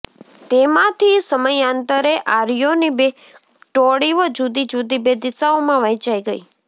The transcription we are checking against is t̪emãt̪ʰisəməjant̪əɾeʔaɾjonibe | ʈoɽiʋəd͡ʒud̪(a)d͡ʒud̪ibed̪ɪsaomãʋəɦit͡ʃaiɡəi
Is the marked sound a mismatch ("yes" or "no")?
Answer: yes